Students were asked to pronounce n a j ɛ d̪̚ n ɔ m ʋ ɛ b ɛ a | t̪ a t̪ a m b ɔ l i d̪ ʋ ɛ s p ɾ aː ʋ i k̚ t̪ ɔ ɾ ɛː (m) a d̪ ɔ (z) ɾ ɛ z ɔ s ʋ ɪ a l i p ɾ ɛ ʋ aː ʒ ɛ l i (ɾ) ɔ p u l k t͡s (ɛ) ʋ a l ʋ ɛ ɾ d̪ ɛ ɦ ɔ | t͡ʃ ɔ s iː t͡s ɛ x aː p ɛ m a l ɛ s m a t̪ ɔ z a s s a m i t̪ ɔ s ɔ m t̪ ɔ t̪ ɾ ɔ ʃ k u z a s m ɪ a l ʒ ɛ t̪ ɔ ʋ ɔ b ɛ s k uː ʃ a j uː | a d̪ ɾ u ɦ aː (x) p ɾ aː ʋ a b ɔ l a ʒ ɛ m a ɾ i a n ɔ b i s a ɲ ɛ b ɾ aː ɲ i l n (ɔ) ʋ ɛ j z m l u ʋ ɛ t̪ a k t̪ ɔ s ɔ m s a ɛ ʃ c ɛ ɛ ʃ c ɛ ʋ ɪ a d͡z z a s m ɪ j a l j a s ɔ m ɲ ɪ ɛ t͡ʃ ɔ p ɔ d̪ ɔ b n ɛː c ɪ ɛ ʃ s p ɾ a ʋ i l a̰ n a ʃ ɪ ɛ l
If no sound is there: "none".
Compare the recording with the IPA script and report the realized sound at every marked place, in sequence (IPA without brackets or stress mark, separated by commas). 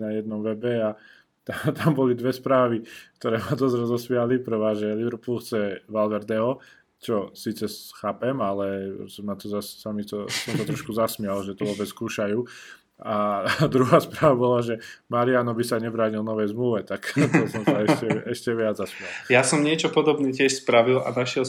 m, z, ɾ, ɛ, s, ɔ